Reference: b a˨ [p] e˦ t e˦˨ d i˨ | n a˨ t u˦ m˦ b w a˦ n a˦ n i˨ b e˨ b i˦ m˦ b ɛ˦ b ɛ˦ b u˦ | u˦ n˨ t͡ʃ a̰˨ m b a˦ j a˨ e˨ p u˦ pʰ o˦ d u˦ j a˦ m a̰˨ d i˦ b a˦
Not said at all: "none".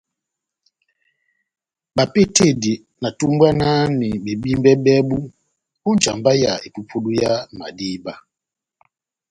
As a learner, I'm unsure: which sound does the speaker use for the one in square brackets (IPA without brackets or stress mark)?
p